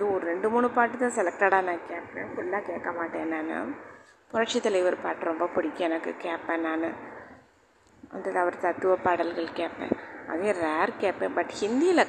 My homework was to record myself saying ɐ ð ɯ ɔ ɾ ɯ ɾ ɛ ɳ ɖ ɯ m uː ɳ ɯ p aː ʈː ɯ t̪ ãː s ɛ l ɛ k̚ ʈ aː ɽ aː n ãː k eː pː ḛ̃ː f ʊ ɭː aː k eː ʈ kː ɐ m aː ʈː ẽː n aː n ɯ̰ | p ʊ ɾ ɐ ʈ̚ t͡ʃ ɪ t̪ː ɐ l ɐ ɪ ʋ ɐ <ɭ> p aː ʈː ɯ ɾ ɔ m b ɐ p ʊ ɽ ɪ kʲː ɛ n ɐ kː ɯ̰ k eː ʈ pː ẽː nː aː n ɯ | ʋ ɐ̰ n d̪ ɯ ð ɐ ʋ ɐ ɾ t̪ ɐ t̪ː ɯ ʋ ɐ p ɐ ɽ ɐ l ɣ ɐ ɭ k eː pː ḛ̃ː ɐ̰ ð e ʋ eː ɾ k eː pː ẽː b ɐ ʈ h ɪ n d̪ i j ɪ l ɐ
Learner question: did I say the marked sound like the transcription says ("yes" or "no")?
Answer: no